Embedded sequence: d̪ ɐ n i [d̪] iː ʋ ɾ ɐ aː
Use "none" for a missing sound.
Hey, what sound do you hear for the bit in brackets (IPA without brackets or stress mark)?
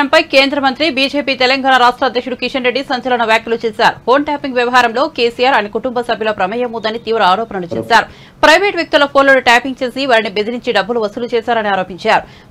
t̪